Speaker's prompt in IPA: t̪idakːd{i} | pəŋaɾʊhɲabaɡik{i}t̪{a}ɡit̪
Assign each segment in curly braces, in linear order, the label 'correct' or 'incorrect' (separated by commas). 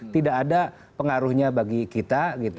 incorrect, correct, correct